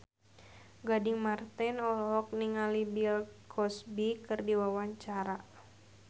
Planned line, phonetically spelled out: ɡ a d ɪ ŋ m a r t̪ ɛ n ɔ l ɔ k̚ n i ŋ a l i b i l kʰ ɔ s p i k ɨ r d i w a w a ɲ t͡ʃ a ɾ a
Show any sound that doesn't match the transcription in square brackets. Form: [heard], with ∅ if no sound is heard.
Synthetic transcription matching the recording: ɡ a d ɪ ŋ m a r t̪ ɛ n ɔ l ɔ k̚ n i ŋ a l i b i l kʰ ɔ s [b] i k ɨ r d i w a w a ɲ t͡ʃ a ɾ a